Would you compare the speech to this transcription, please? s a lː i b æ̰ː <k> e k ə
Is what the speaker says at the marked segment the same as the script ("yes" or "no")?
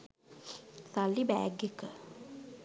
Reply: no